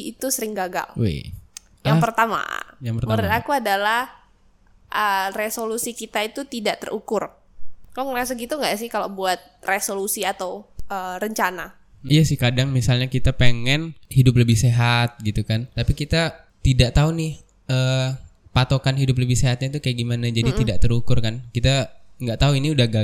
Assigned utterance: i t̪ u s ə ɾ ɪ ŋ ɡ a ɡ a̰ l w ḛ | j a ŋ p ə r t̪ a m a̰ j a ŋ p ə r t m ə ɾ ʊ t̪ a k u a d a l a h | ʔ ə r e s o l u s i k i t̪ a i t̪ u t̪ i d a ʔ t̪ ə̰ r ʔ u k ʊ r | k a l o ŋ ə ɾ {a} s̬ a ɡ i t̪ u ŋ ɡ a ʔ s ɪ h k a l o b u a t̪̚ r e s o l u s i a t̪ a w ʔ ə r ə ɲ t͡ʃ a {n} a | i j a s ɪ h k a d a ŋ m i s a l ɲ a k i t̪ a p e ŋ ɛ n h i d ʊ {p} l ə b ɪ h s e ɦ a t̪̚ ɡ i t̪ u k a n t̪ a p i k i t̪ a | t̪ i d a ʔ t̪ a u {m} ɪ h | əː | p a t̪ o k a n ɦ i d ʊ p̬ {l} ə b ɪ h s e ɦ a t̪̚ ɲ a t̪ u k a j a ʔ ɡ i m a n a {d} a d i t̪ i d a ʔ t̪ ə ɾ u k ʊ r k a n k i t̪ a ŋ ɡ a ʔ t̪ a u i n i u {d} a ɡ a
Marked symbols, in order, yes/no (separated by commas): yes, yes, yes, no, yes, no, yes